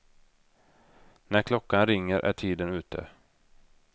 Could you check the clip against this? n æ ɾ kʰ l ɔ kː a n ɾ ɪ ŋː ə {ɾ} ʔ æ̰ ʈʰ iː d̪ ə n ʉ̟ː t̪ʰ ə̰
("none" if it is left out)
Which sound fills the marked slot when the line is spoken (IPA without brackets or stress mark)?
ɾ